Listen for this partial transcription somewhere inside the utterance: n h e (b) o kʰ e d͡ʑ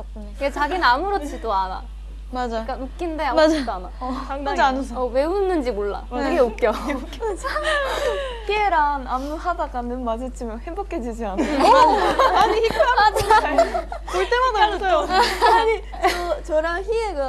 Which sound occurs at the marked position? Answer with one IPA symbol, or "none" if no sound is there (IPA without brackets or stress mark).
b